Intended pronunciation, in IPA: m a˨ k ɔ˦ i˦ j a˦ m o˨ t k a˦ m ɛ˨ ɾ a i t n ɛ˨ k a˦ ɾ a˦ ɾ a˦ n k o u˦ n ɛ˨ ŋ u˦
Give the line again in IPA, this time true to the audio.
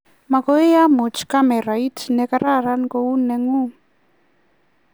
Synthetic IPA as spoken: m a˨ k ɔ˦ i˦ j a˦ m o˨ t͡ʃ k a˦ m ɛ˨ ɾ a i t n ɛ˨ k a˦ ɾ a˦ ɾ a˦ n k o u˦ n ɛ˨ ŋ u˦